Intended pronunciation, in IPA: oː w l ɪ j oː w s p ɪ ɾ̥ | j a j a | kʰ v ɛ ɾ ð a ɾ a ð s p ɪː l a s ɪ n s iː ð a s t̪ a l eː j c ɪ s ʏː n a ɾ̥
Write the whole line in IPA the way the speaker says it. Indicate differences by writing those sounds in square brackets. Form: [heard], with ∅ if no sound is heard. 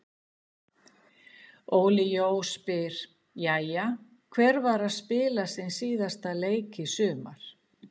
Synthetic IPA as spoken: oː w l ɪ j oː w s p ɪ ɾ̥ | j a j a | kʰ v ɛ ɾ [v] a ɾ a ð s p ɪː l a s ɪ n s iː ð a s t̪ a l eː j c ɪ s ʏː [m] a ɾ̥